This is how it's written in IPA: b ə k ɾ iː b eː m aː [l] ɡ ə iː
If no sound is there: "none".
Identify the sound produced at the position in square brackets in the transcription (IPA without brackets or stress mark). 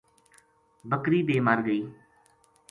ɾ